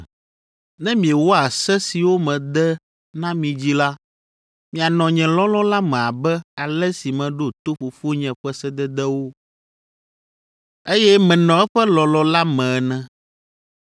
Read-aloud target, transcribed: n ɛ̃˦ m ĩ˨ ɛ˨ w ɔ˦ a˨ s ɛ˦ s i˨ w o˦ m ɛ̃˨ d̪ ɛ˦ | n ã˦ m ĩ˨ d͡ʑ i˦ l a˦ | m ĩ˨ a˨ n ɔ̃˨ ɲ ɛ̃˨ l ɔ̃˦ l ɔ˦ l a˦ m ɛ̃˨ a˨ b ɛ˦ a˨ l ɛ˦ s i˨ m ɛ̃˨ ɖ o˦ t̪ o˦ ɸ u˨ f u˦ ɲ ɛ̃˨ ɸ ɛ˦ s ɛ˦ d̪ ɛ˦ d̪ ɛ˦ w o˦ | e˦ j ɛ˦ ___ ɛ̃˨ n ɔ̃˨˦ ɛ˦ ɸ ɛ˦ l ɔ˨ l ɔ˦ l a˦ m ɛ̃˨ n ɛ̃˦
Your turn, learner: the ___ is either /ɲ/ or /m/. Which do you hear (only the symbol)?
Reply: m